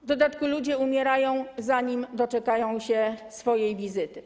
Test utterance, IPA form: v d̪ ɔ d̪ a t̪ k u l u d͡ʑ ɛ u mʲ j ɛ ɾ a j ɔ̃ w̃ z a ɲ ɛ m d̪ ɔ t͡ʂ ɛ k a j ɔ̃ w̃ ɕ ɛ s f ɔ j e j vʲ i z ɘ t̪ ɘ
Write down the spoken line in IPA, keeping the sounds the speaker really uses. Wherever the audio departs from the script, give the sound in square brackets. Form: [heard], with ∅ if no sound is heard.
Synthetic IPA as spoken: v d̪ ɔ d̪ a t̪ k u l u d͡ʑ ɛ u mʲ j ɛ ɾ a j ɔ̃ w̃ z a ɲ [i] m d̪ ɔ t͡ʂ ɛ k a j ɔ̃ w̃ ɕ ɛ s f ɔ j e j vʲ i z ɘ t̪ ɘ